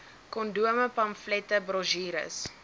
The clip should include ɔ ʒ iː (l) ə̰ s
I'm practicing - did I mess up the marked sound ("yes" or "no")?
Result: yes